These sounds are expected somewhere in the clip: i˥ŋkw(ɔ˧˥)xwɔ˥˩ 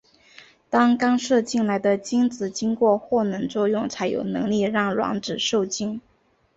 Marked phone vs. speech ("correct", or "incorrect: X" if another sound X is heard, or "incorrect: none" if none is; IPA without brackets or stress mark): incorrect: ɔ˥˧